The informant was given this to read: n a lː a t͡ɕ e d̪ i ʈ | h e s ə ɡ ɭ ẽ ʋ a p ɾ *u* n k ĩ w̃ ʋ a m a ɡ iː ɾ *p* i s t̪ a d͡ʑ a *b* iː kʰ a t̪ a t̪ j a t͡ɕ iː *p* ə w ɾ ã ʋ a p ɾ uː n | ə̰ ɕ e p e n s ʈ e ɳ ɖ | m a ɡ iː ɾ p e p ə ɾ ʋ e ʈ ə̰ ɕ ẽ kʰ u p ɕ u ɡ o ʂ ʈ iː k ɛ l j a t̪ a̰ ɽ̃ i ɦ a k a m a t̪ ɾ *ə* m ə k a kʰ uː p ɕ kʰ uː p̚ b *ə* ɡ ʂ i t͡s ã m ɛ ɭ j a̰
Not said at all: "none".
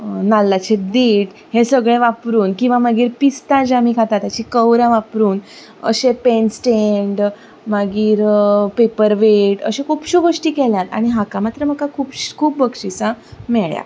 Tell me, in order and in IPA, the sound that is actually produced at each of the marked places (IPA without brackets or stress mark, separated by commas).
uː, p, m, k, ə, ə